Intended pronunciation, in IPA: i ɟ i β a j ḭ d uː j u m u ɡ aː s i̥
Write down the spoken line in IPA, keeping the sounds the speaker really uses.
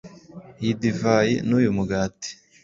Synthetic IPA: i d i v a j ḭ n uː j u m u ɡ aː t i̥